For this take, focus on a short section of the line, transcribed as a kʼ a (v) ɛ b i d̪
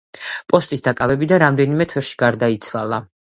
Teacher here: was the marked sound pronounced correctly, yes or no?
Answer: yes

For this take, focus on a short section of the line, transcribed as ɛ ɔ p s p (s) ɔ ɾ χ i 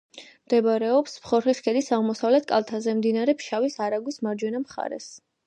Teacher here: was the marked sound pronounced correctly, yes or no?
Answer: no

